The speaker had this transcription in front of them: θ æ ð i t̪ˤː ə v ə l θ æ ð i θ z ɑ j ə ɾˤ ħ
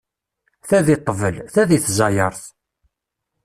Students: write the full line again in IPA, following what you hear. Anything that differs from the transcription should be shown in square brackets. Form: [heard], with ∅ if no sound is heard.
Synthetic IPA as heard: θ æ ð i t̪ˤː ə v ə l θ æ ð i θ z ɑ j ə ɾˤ [θ]